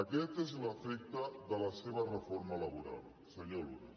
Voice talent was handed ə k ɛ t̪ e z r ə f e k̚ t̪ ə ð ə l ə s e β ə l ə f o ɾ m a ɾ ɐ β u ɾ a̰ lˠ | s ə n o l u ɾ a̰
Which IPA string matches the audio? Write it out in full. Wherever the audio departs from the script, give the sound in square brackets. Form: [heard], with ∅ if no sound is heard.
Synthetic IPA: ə k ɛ t̪ e z [l] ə f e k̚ t̪ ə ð ə l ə s e β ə [r] ə f o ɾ m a [l] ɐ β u ɾ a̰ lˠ | s ə [ɲ] o l u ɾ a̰